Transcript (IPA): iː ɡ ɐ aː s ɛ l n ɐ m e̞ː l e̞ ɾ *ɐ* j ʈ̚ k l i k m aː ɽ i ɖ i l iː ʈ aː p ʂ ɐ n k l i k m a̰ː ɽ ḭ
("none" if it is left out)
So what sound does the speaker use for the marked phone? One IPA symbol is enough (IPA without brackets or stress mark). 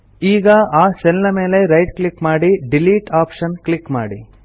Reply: ɐ